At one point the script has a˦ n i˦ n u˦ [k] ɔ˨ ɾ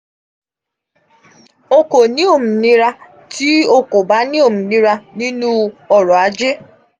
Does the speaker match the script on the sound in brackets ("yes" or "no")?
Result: no